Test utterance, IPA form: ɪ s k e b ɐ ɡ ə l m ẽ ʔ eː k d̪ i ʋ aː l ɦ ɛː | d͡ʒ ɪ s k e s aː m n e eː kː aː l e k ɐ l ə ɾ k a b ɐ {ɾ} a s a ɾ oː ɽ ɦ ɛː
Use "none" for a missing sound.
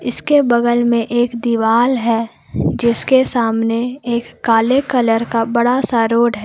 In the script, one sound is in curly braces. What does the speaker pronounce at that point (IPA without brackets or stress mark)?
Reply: ɽ